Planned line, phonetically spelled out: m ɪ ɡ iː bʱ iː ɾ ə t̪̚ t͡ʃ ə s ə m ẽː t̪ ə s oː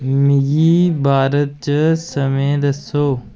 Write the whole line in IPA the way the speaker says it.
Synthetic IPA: m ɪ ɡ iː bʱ aː ɾ ə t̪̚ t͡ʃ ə s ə m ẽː d̪ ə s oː

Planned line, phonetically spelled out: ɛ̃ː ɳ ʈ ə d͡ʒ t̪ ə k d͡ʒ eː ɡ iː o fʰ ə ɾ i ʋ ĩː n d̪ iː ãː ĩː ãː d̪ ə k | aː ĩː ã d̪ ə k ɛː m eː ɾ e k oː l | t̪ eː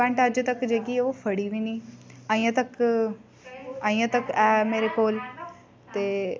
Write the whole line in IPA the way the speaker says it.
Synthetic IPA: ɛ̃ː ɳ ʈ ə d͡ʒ t̪ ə k d͡ʒ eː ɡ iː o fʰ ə ɽ i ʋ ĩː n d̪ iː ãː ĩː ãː t̪ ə k | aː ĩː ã t̪ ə k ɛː m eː ɾ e k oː l | t̪ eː

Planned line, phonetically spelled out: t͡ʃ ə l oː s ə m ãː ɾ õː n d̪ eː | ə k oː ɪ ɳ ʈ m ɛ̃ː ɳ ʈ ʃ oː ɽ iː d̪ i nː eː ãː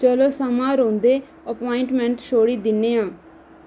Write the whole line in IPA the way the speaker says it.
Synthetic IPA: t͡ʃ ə l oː s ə m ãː ɾ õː n d̪ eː | ə p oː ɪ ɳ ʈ m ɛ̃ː ɳ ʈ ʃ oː ɽ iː d̪ ɪ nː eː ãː

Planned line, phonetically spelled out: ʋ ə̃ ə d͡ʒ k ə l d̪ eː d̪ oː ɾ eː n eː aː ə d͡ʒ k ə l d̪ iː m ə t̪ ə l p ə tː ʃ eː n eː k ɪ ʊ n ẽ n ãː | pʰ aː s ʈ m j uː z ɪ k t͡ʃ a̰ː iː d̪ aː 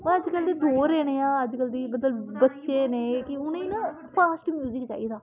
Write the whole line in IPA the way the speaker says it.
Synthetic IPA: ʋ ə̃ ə d͡ʒ k ə l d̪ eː d̪ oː ɾ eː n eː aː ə d͡ʒ k ə l d̪ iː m ə t̪ ə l b ə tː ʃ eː n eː k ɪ ʊ n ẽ n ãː | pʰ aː s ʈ m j uː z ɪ k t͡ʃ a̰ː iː d̪ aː

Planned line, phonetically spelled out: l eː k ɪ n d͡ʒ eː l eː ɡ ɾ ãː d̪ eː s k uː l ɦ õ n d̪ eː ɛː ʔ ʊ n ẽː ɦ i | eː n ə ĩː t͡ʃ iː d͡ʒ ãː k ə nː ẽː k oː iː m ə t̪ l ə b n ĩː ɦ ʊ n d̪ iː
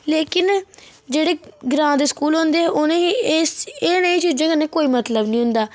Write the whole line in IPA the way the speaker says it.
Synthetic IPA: l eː k ɪ n d͡ʒ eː ɽ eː ɡ ɾ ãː d̪ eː s k uː l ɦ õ n d̪ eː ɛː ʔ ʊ n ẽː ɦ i | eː n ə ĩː t͡ʃ iː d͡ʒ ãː k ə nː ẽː k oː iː m ə t̪ l ə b n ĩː ɦ ʊ n d̪ aː

